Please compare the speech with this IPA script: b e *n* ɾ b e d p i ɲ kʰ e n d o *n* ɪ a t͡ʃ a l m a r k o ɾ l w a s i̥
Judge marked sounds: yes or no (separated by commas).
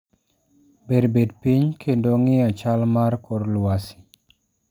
no, no